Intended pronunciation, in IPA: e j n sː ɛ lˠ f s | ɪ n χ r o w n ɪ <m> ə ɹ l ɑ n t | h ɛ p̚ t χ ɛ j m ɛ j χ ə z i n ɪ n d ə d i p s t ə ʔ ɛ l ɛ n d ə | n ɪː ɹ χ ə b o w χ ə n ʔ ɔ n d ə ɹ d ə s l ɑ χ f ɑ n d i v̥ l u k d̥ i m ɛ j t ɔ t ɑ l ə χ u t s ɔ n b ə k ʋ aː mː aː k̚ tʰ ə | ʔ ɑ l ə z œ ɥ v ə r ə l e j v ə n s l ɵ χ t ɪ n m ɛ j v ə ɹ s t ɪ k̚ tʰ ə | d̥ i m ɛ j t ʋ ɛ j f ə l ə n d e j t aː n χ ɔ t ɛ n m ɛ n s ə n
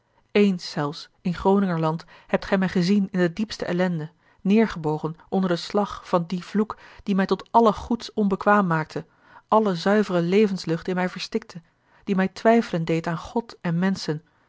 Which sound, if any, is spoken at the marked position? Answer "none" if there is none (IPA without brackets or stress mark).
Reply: ŋ